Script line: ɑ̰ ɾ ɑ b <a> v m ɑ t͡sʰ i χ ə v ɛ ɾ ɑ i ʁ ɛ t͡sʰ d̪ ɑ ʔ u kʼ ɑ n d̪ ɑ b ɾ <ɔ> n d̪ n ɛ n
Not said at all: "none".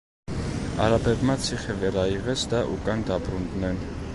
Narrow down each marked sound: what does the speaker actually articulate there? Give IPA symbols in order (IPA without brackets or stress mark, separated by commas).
ɛ, u